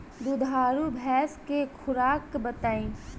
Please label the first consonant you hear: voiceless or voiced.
voiced